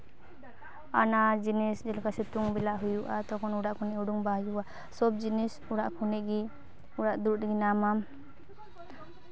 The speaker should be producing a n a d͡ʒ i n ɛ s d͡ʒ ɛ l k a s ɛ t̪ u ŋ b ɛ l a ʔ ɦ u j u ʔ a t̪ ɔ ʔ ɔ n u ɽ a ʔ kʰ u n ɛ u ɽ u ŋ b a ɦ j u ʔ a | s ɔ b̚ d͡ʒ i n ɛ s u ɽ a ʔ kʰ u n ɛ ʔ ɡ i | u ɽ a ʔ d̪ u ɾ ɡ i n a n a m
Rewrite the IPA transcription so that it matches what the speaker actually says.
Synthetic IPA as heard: a n a d͡ʒ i n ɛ s d͡ʒ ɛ l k a s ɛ t̪ u ŋ b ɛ l a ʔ ɦ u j u ʔ a t̪ ɔ k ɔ n u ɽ a ʔ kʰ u n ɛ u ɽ u ŋ b a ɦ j u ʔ a | s ɔ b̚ d͡ʒ i n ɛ s u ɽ a ʔ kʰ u n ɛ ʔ ɡ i | u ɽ a ʔ d̪ u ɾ ɡ i n a m a m